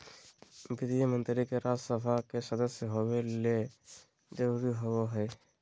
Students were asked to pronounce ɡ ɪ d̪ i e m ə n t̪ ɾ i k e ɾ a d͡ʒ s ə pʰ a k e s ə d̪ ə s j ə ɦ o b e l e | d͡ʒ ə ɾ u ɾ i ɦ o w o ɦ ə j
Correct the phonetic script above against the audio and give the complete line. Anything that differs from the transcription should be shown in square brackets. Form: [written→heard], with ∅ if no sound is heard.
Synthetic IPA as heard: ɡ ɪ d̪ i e m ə n t̪ ɾ i k e ɾ a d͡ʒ s ə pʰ a k e s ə d̪ ə s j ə ɦ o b e l e | d͡ʒ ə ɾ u ɾ i ɦ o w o ɦ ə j